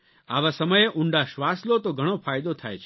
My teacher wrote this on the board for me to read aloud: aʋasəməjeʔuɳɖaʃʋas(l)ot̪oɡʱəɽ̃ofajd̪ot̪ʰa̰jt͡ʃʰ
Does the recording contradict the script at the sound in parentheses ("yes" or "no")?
no